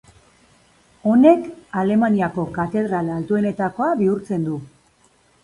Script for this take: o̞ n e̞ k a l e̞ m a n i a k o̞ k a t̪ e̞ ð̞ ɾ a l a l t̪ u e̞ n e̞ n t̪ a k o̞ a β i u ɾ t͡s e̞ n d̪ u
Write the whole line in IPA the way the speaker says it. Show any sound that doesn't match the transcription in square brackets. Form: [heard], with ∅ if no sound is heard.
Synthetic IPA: o̞ n e̞ k a l e̞ m a n i a k o̞ k a t̪ e̞ ð̞ ɾ a l a l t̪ u e̞ n e̞ [∅] t̪ a k o̞ a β i u ɾ t͡s e̞ n d̪ u